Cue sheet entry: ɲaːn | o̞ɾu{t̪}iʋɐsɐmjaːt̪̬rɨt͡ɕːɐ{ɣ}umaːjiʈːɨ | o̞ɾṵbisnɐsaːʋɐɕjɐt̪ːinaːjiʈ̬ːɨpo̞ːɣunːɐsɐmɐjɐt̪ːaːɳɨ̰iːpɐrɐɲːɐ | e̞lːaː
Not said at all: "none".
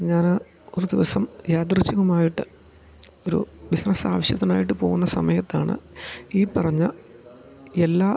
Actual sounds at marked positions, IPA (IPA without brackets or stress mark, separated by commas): d̪, ɣ